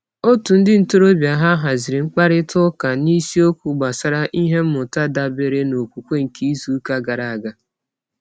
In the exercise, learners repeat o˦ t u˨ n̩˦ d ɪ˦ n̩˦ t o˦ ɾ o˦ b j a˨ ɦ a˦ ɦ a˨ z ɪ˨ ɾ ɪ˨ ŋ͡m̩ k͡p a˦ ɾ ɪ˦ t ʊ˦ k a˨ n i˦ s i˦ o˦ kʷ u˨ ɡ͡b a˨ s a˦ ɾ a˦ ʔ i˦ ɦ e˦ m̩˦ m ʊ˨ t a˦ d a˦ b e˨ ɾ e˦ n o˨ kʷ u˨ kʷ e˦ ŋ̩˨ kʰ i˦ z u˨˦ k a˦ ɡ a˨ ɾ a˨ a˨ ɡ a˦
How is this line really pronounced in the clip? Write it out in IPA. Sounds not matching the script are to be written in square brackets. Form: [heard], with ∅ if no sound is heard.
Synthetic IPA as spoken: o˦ t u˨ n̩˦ d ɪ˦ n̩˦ t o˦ ɾ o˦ b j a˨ ɦ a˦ ɦ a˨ z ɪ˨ ɾ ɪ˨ ŋ͡m̩ k͡p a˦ ɾ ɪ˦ t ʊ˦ k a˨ n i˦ s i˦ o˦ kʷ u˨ ɡ͡b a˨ s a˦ ɾ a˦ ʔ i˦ ɦ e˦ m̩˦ m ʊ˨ t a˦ d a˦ b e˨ ɾ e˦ n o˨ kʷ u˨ kʷ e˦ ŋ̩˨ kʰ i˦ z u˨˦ k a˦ ɡ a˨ ɾ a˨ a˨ ɡ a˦